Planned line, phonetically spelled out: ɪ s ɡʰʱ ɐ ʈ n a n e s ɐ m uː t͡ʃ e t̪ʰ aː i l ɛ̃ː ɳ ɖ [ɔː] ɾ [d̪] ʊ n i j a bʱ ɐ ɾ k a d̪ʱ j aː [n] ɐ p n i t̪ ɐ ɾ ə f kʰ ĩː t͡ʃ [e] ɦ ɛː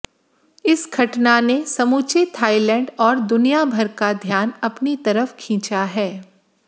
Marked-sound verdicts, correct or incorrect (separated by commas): correct, correct, correct, incorrect